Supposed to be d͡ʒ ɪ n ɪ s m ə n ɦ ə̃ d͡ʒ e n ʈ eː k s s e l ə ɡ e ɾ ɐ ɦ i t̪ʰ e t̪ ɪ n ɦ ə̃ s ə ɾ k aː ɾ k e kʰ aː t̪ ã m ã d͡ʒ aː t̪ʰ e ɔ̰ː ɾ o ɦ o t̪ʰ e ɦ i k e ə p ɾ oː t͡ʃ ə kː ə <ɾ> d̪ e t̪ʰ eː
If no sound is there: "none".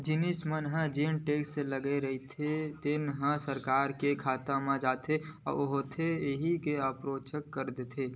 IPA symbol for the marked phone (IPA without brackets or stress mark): ɾ